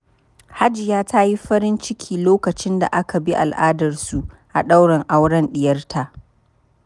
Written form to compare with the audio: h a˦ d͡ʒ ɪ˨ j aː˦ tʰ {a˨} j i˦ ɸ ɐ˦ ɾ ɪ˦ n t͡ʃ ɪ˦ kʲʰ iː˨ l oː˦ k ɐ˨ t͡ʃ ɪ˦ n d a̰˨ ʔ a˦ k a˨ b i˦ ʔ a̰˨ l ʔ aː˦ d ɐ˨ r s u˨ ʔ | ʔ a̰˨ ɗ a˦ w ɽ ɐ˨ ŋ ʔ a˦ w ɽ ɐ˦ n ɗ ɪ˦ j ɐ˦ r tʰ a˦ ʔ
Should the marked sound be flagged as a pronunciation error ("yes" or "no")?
yes